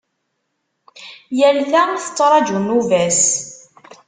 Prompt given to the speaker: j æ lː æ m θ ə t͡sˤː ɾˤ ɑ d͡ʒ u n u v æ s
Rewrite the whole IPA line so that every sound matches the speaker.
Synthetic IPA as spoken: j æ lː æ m θ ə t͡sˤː ɾˤ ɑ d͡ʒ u n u v æ s